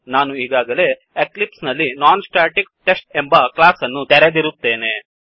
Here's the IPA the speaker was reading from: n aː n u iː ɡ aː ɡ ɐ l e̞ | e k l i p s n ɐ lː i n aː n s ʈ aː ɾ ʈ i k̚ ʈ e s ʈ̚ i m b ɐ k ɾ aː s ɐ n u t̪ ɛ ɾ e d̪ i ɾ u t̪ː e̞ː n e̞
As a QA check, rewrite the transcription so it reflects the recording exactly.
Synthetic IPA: n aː n u iː ɡ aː ɡ ɐ l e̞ | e k l i p s n ɐ lː i n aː n s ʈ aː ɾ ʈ i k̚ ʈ e s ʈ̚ e m b ɐ k l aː s ɐ nː u t̪ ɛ ɾ e d̪ i ɾ u t̪ː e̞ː n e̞